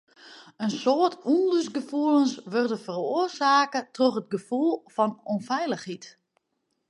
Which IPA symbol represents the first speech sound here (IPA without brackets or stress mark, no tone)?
ə